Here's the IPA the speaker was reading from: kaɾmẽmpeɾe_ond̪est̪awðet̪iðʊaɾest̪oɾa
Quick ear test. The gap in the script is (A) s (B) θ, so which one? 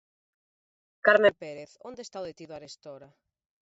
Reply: B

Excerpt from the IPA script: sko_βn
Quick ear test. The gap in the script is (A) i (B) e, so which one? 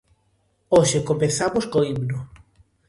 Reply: A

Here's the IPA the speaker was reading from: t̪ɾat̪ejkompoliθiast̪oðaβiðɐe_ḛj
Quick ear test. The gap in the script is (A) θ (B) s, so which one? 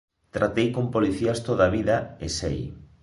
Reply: B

